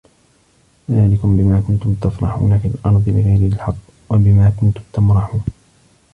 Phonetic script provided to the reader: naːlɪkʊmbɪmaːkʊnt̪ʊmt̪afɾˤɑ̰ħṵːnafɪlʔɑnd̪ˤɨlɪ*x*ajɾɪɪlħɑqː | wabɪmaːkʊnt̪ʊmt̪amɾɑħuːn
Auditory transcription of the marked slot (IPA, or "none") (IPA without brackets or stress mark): ɣ